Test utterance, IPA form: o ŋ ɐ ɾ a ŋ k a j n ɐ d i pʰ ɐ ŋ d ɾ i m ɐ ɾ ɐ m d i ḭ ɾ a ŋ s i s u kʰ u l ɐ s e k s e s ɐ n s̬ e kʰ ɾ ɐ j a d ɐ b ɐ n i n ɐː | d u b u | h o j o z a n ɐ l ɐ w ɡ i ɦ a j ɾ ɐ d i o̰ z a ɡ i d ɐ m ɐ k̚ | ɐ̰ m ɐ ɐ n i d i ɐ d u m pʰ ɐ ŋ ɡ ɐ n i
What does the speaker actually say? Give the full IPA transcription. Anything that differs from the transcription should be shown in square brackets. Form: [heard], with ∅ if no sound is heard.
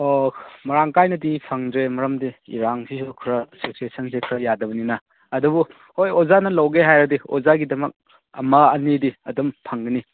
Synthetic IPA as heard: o [m] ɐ ɾ a ŋ k a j n ɐ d i pʰ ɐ ŋ d ɾ [e] m ɐ ɾ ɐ m d i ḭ ɾ a ŋ s i s u kʰ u [ɾ] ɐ s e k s e s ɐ n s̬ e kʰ ɾ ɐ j a d ɐ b ɐ n i n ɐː | d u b u | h o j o z a n ɐ l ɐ w ɡ [e] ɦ a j ɾ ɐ d i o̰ z a ɡ i d ɐ m ɐ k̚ | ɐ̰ m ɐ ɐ n i d i ɐ d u m pʰ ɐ ŋ ɡ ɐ n i